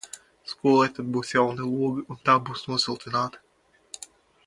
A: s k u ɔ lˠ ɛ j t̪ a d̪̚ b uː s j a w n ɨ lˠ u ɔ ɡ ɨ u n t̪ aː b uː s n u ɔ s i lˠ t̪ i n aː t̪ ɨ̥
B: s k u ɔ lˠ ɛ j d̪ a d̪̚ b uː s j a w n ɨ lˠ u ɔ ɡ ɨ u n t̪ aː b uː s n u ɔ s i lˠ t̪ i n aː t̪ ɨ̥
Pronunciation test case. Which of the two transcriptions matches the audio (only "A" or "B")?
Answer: A